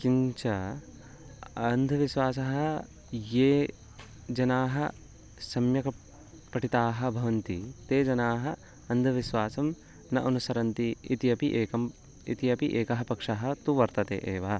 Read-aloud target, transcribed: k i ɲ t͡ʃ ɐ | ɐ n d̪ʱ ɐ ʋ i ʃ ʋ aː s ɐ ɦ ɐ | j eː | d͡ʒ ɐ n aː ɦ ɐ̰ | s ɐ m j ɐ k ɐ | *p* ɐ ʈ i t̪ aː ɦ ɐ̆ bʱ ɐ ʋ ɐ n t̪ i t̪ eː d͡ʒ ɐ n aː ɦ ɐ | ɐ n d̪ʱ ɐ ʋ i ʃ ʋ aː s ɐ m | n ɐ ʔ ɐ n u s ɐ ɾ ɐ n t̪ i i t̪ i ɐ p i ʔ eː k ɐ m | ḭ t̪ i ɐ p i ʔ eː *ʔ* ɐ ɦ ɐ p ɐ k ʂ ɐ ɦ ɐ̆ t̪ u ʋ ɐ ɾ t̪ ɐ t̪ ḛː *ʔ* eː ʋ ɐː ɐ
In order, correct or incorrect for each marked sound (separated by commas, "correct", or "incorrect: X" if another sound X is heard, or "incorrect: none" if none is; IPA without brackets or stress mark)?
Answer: correct, incorrect: k, correct